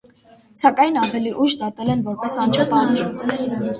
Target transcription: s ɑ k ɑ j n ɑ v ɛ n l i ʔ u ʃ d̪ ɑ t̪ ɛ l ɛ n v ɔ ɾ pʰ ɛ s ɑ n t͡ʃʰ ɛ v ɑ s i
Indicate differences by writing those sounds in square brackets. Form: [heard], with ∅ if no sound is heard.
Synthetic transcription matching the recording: s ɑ k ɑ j n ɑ v ɛ [∅] l i ʔ u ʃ d̪ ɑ t̪ ɛ l ɛ n v ɔ ɾ [p] ɛ s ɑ n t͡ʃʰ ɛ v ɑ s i